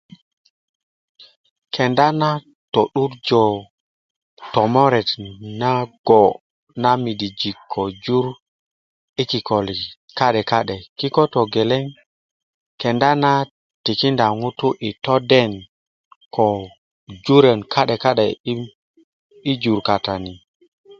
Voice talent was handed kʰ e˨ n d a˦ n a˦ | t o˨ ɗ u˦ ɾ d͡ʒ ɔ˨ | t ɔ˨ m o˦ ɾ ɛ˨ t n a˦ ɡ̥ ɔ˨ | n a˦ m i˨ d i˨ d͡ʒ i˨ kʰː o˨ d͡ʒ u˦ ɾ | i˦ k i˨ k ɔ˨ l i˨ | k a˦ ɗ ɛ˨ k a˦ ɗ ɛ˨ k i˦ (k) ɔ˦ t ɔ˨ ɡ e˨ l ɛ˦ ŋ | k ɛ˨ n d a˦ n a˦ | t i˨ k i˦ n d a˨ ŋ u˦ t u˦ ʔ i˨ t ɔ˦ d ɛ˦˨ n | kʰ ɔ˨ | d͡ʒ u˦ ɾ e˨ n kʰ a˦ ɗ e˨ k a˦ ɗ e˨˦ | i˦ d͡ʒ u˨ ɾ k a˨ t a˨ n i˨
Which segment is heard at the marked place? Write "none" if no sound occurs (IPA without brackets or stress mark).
k